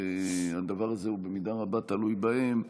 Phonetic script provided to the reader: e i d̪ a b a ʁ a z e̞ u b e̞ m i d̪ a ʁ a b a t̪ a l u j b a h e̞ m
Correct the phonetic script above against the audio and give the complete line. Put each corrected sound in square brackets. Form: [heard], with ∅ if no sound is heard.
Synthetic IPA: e [a] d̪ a [v] a ʁ a z e̞ u b e̞ m i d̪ a ʁ a b a t̪ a l u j b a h e̞ m